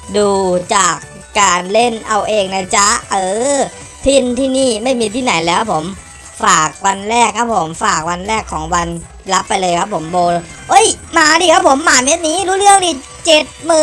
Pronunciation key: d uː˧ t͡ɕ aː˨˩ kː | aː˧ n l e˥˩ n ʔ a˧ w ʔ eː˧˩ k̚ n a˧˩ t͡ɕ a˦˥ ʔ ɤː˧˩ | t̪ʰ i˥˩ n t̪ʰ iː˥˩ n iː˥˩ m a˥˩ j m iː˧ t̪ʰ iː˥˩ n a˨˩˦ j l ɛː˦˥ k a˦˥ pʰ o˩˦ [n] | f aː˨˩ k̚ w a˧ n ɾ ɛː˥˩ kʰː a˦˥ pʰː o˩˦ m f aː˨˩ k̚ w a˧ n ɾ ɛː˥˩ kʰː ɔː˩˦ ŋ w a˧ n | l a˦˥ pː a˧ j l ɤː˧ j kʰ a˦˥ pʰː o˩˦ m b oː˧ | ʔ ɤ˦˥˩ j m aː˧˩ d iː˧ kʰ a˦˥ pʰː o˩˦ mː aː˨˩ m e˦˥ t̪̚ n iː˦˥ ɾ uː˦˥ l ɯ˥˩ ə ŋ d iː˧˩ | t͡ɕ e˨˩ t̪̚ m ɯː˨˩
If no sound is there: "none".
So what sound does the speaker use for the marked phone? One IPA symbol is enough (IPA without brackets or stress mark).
m